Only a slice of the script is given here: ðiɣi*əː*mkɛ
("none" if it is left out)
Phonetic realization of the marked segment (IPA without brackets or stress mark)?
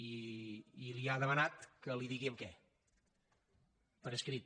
ə